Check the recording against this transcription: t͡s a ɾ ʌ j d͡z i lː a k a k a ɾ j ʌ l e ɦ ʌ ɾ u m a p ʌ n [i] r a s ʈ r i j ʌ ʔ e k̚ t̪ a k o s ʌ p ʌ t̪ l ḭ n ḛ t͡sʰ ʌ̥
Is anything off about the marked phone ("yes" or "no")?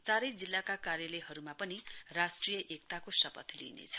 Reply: no